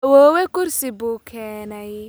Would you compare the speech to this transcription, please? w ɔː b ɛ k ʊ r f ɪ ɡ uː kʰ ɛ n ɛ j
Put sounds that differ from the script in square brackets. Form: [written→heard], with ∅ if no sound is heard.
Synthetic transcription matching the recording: w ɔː [b→w] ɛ k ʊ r [f→s] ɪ [ɡ→b] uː kʰ [ɛ→ɛː] n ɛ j